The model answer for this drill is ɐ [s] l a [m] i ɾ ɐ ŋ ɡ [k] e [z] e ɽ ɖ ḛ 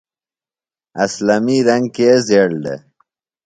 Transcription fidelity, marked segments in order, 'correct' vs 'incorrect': correct, correct, correct, correct

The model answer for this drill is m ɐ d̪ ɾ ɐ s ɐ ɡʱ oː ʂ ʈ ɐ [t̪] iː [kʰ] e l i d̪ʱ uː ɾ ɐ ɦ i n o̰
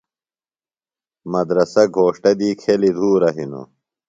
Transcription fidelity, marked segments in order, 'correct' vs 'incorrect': incorrect: d̪, correct

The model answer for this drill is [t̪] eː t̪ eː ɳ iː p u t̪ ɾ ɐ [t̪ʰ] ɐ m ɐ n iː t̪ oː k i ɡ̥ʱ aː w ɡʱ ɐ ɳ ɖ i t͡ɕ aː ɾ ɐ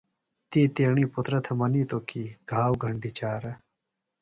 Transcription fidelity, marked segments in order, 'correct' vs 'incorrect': correct, correct

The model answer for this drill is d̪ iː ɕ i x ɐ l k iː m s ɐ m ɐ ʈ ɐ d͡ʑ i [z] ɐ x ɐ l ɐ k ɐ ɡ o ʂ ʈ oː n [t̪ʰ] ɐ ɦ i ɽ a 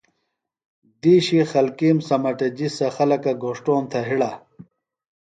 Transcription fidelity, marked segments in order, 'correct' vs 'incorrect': incorrect: s, correct

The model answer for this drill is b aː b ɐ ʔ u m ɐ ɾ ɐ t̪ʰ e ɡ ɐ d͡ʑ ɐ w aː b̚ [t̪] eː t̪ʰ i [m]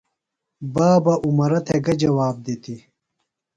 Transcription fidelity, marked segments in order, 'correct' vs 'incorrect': incorrect: d̪, incorrect: none

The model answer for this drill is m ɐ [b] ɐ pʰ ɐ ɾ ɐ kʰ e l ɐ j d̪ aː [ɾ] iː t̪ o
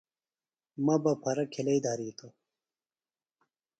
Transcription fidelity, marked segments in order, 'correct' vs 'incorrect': correct, correct

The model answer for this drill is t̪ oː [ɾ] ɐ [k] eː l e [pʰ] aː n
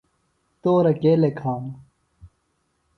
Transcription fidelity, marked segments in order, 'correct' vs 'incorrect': correct, correct, incorrect: kʰ

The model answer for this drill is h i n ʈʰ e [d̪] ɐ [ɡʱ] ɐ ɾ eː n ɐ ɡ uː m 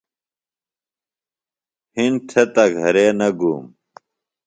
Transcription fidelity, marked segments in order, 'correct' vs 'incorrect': incorrect: t̪, correct

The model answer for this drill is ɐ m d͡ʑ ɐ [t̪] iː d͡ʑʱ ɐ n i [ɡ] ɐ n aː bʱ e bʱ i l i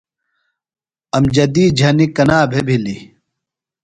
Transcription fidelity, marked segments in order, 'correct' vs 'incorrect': incorrect: d̪, incorrect: k

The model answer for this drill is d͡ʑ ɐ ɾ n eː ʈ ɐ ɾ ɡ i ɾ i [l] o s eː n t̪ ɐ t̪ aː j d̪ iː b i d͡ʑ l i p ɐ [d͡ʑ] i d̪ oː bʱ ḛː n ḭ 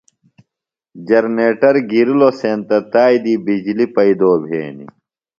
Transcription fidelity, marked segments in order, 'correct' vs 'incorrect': correct, incorrect: none

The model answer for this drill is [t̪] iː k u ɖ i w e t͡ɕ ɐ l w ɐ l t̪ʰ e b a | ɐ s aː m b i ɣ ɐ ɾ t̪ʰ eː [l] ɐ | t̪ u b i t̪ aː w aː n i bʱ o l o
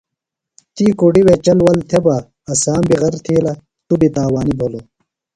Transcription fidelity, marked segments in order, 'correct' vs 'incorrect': correct, correct

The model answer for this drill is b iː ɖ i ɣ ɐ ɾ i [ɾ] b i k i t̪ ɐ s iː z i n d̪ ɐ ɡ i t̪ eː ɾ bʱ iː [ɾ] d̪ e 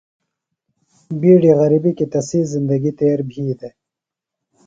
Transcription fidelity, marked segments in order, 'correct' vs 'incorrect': incorrect: none, incorrect: none

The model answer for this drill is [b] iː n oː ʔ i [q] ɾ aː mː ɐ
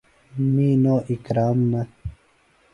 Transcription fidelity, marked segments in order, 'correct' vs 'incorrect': incorrect: m, incorrect: k

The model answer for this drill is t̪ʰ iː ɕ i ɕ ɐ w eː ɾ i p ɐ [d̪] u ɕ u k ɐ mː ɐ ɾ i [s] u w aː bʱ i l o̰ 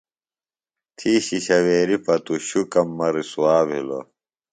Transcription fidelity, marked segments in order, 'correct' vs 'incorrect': incorrect: t̪, correct

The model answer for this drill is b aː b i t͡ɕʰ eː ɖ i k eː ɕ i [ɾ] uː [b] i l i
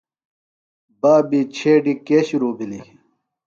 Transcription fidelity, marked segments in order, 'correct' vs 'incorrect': correct, correct

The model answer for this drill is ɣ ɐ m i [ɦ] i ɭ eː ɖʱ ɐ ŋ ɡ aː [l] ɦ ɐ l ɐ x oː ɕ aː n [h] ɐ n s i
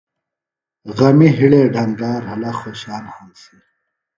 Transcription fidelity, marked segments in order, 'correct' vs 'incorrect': correct, incorrect: ɾ, correct

